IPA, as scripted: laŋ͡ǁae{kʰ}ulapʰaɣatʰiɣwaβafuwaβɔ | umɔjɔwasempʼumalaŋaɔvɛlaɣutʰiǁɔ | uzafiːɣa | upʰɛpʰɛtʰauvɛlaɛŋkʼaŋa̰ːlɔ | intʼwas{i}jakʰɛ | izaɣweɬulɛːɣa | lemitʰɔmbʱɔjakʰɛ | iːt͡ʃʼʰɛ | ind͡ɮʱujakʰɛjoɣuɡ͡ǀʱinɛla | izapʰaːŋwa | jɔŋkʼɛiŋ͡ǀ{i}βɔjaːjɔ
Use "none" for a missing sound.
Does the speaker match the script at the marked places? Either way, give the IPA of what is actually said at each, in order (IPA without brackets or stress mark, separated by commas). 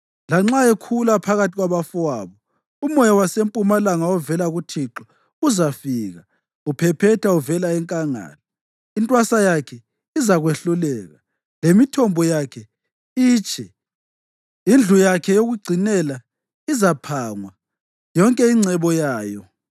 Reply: kʰ, a, ɛ